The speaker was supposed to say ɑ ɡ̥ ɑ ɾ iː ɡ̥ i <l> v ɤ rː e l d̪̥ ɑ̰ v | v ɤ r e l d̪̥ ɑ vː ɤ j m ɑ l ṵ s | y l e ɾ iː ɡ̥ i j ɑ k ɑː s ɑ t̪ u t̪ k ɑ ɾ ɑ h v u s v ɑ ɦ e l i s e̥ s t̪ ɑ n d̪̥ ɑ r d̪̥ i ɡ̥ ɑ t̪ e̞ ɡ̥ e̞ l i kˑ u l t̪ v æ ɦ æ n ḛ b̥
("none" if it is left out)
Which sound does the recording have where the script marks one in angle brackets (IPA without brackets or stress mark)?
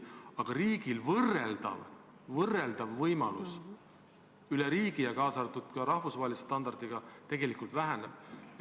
l